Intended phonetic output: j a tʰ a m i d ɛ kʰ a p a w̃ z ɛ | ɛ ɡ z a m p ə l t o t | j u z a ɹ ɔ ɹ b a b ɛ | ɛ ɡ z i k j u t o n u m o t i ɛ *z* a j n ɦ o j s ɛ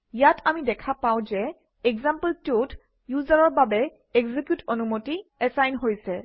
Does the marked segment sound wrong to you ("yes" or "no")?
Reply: yes